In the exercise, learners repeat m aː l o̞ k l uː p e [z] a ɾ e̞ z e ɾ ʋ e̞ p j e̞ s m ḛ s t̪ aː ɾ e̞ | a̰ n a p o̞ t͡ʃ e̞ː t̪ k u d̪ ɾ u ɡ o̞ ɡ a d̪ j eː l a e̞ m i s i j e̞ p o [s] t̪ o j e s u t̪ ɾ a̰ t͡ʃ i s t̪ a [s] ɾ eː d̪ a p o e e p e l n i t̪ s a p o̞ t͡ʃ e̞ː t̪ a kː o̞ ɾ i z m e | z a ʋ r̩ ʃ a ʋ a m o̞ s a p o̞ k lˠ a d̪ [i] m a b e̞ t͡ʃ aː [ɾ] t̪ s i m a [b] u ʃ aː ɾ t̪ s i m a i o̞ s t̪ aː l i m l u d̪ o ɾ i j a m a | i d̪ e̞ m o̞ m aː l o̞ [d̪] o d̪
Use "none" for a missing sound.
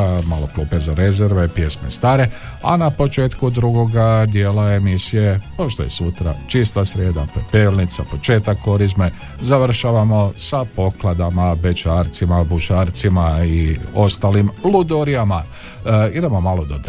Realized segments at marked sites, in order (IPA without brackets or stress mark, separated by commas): z, ʃ, s, a, ɾ, b, d̪